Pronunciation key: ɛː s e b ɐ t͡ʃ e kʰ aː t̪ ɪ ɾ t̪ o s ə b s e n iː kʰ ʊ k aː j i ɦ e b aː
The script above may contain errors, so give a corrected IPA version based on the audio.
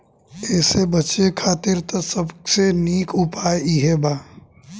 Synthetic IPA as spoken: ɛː s e b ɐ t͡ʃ e kʰ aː t̪ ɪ ɾ t̪ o s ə b s e n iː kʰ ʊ p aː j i ɦ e b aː